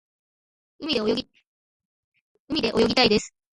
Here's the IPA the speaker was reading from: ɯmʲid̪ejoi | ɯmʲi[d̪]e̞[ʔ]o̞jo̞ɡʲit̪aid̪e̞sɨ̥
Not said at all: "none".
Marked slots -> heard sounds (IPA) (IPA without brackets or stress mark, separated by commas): d̪, ʔ